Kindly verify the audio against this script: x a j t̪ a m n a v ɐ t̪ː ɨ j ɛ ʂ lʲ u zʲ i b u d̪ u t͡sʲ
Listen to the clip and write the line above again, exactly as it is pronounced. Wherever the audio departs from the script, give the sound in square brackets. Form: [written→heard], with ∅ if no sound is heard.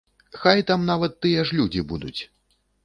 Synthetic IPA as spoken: x a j t̪ a m n a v ɐ t̪ː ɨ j ɛ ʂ lʲ u [zʲ→d͡zʲ] i b u d̪ u t͡sʲ